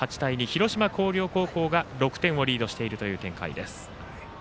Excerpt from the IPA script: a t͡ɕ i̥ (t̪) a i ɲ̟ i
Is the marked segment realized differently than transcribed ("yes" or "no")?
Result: no